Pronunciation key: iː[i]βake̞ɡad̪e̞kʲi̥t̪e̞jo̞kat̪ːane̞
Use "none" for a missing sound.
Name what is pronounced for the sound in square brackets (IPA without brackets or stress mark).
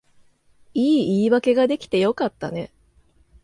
iː